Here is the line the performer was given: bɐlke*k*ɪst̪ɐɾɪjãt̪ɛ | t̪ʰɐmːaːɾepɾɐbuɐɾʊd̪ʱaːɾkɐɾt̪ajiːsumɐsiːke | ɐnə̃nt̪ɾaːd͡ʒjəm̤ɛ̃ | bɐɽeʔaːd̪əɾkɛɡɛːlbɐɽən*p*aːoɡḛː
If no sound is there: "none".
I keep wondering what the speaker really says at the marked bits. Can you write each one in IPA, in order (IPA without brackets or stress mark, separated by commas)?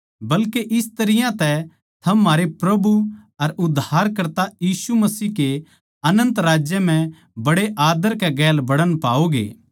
ʔ, p